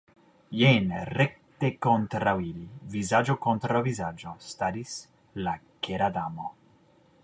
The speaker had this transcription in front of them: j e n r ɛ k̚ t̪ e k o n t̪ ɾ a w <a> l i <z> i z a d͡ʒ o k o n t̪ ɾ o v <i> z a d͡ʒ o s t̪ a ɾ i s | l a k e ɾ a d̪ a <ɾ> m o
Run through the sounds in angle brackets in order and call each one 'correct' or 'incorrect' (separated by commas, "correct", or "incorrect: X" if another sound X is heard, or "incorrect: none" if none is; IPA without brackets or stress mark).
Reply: incorrect: i, incorrect: v, correct, incorrect: none